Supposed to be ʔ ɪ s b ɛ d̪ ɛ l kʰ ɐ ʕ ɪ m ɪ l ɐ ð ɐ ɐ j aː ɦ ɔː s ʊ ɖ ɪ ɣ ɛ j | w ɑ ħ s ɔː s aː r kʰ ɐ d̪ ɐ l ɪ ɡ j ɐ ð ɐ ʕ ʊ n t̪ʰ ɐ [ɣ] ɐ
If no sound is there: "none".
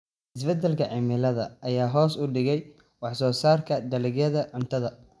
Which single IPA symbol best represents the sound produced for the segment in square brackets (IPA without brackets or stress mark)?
ð